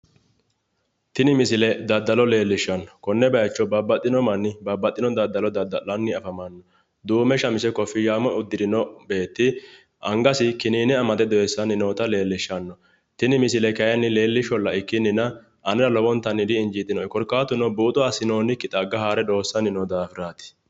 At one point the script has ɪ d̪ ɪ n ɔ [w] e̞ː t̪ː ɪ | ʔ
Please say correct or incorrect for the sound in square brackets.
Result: incorrect